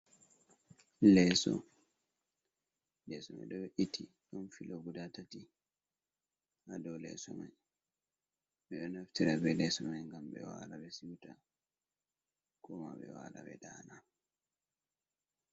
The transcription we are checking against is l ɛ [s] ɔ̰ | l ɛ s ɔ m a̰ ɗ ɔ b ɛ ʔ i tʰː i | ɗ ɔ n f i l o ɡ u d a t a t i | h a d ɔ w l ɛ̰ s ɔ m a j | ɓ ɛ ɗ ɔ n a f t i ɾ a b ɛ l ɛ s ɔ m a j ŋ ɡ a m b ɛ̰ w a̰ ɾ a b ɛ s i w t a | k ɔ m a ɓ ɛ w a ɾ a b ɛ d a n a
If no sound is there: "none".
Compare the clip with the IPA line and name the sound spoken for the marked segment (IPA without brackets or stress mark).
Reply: s